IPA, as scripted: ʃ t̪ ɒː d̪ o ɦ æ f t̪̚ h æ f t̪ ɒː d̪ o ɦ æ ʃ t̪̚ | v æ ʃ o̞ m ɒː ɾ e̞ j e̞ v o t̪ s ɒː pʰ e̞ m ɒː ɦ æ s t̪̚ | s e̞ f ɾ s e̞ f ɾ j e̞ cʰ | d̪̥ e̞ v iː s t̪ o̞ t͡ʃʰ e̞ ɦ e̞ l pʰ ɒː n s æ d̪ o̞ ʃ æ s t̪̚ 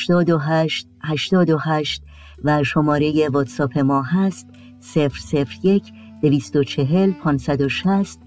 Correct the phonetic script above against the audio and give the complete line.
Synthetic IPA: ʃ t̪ ɒː d̪ o ɦ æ ʃ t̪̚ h æ ʃ t̪ ɒː d̪ o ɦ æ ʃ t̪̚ | v æ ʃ o̞ m ɒː ɾ e̞ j e̞ v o t̪ s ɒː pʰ e̞ m ɒː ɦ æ s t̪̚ | s e̞ f ɾ s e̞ f ɾ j e̞ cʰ | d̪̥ e̞ v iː s t̪ o̞ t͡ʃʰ e̞ ɦ e̞ l pʰ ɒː n s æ d̪ o̞ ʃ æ s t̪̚